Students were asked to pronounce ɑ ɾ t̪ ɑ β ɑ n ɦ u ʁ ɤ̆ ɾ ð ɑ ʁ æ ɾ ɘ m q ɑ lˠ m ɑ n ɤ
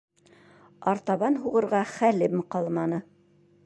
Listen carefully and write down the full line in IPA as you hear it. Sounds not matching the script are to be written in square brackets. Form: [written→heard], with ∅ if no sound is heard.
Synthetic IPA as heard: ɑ ɾ t̪ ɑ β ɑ n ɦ u ʁ ɤ̆ ɾ [ð→ʁ] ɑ [ʁ→χ] æ [ɾ→l] ɘ m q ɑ lˠ m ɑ n ɤ